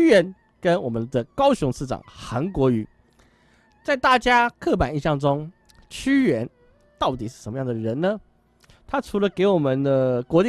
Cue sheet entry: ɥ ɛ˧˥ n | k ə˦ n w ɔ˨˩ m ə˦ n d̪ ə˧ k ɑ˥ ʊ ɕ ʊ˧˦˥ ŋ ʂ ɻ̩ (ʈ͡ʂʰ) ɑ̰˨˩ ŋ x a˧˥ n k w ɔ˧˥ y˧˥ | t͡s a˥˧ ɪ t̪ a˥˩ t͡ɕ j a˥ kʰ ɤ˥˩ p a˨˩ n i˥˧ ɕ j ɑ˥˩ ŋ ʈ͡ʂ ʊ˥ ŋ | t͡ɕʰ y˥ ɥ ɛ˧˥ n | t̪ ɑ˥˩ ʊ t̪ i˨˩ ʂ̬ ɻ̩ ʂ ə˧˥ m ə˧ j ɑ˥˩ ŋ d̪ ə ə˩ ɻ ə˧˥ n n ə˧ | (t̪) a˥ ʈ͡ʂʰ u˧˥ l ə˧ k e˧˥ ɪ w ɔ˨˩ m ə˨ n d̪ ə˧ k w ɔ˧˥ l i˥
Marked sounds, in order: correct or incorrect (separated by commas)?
incorrect, incorrect